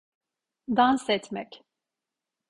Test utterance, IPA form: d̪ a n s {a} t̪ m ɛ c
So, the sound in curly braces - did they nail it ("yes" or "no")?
no